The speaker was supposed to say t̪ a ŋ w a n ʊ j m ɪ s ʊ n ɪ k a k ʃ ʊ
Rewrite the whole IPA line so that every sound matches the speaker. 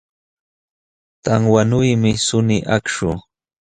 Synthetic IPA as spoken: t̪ a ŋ w a n ʊ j m ɪ s ʊ n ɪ ʔ a k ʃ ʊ